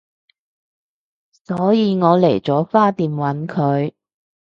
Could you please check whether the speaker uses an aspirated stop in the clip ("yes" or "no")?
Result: yes